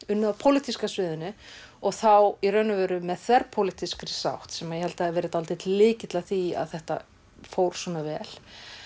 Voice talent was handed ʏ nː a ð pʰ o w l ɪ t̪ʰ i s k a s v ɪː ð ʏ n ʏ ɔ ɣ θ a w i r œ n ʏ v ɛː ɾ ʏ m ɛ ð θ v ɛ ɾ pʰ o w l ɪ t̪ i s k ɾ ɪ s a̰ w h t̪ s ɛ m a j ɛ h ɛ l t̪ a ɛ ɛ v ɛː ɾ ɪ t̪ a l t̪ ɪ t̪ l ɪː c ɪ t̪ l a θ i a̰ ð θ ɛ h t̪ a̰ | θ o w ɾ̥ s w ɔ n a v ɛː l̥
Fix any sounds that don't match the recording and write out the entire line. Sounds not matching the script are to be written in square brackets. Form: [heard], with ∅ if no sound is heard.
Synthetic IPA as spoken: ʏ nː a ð pʰ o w l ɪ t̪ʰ i s k a s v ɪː ð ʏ n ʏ ɔ ɣ θ a w i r œ n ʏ v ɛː ɾ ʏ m ɛ ð θ v ɛ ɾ pʰ o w l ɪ t̪ i s k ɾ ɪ s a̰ w h t̪ s ɛ m a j ɛ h ɛ l t̪ a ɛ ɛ v ɛː ɾ ɪ t̪ a l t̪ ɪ t̪ l ɪː c ɪ t̪ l a θ i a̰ ð θ ɛ h t̪ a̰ | [f] o w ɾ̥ s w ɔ n a v ɛː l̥